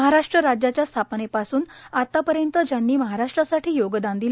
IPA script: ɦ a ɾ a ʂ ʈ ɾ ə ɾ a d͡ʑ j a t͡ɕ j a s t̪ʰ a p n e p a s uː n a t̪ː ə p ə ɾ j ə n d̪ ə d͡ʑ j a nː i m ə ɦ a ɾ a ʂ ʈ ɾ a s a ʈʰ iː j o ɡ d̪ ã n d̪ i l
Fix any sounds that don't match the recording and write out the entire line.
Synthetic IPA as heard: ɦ a ɾ a ʂ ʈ ɾ ə ɾ a d͡ʑ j a t͡ɕ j a s t̪ʰ a p n e p a s uː n a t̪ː a p ə ɾ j ə n t̪ ə d͡ʑ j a nː iː m ə ɦ a ɾ a ʂ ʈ ɾ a s a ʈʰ iː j o ɡ d̪ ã n d̪ i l